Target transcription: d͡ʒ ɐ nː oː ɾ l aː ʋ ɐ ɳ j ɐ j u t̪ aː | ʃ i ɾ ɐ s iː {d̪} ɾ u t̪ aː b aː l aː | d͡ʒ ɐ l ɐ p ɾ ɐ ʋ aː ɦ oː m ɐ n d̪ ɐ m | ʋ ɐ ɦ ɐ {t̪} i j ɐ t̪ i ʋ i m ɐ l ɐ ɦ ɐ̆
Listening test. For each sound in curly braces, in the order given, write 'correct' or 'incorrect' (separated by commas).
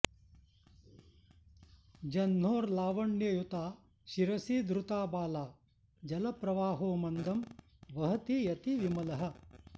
correct, correct